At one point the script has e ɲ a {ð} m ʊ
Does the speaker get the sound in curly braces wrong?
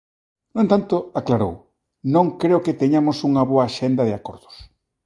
yes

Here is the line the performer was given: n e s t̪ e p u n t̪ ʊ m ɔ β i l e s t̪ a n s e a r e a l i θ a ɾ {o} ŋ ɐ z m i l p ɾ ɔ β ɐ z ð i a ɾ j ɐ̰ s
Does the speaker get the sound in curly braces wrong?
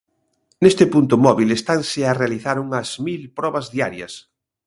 yes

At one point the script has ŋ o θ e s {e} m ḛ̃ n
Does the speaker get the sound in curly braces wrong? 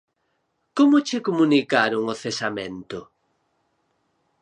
yes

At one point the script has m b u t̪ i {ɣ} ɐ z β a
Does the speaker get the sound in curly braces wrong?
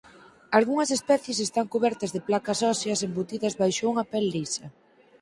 yes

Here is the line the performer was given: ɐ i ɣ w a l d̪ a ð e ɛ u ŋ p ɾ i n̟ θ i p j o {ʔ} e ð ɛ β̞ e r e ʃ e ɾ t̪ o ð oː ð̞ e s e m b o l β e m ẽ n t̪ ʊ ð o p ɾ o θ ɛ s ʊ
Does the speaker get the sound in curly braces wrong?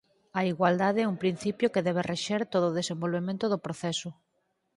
yes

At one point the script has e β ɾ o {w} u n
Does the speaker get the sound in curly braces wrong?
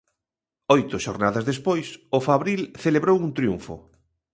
no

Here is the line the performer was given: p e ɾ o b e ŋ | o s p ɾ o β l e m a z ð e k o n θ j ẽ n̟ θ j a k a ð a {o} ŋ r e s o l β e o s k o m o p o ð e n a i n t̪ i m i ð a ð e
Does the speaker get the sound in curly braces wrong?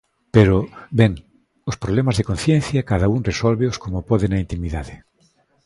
yes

